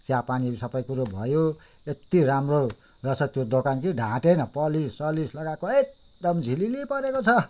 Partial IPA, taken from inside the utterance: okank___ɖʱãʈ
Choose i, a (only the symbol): i